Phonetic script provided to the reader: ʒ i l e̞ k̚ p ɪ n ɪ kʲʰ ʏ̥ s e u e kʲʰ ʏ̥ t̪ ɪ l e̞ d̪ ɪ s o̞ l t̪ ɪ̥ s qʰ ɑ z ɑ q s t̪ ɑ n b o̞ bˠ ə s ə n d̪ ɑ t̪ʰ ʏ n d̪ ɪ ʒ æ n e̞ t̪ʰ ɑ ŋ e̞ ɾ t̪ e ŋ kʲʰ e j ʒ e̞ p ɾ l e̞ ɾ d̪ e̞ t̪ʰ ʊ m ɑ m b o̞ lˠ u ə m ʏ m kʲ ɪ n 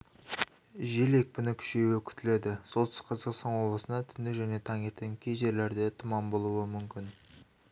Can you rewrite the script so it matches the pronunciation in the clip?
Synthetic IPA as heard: ʒ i l e̞ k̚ p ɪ n ɪ kʲʰ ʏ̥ ʃ e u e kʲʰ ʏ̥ t̪ ɪ l e̞ d̪ ɪ s o̞ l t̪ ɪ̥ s qʰ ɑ z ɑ q s t̪ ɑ n w o̞ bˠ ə s ə n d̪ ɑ t̪ʰ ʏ n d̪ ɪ ʒ æ n e̞ t̪ʰ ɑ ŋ e̞ ɾ t̪ e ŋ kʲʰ e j ʒ e̞ ɾ l e̞ ɾ d̪ e̞ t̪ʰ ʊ m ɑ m b o̞ lˠ u ə m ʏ m kʲ ɪ n